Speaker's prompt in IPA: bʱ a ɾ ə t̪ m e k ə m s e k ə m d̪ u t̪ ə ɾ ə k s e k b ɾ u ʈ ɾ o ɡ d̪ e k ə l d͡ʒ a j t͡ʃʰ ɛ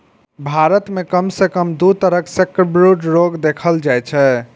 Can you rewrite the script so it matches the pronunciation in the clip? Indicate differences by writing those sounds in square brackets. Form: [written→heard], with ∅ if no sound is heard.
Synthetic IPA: bʱ a ɾ ə t̪ m e k ə m s e k ə m d̪ u t̪ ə ɾ ə k s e k b ɾ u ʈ ɾ o ɡ d̪ e [k→kʰ] ə l d͡ʒ a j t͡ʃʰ ɛ